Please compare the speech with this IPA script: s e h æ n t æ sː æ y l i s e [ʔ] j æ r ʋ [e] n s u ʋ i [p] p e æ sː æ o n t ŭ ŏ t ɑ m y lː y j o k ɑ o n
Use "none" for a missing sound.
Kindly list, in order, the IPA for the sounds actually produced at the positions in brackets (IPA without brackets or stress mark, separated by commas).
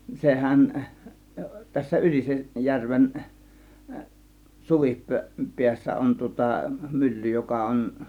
ʔ, e, p